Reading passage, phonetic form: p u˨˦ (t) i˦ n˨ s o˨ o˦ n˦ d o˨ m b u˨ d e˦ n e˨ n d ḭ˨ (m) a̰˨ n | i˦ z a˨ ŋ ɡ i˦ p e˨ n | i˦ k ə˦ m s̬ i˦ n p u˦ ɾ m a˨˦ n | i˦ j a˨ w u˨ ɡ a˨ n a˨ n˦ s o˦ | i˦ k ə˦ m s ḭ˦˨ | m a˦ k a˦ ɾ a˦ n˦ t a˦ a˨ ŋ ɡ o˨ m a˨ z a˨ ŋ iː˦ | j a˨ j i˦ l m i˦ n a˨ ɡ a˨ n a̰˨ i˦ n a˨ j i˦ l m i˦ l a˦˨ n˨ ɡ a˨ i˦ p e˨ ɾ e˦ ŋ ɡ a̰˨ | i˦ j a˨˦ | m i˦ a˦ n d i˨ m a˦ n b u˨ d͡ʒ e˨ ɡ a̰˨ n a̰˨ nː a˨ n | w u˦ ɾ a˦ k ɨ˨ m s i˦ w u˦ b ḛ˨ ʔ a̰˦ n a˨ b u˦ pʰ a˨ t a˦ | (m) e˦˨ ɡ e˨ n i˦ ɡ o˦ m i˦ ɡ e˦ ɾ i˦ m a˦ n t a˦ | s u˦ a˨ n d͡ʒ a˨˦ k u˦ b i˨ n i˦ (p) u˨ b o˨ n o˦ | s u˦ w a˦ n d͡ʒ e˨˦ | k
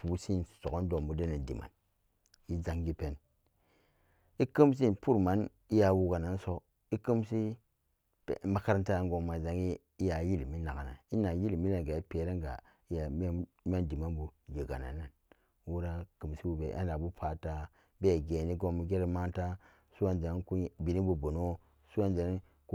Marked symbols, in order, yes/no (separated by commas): no, yes, no, no